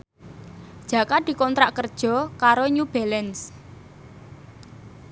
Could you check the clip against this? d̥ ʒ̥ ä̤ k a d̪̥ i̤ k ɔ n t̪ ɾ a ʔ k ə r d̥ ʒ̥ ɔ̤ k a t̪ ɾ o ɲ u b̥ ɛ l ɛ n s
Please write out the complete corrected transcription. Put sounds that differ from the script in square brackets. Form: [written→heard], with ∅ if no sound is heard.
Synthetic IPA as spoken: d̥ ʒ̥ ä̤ k a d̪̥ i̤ k ɔ n t̪ ɾ a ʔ k ə r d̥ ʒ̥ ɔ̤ k a [t̪→∅] ɾ o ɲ u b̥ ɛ l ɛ n s

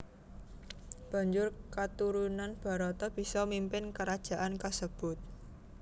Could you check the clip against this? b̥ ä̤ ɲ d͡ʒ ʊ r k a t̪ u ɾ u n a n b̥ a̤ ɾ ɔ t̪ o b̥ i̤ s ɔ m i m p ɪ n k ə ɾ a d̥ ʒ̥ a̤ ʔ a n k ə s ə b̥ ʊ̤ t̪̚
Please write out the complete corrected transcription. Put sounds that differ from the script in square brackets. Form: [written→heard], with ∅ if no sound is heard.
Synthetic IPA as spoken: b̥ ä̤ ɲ d͡ʒ ʊ r k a t̪ u ɾ u n a n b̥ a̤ ɾ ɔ t̪ [o→ɔ] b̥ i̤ s ɔ m i m p ɪ n k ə ɾ a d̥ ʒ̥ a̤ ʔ a n k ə s ə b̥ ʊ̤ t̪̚

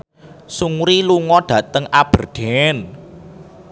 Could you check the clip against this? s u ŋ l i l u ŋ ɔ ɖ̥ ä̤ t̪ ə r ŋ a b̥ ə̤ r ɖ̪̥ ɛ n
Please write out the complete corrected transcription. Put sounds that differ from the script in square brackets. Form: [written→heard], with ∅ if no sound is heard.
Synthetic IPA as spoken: s u ŋ [l→ɾ] i l u ŋ ɔ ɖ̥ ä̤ t̪ ə [r→∅] ŋ a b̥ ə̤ r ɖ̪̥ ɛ n

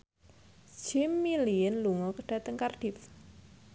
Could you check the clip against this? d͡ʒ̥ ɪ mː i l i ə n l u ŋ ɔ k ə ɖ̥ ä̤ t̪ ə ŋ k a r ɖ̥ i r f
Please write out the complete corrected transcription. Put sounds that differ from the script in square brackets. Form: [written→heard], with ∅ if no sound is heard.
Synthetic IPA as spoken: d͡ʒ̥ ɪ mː i l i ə n l u ŋ ɔ k ə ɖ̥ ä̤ t̪ ə ŋ k a r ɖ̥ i [r→∅] f

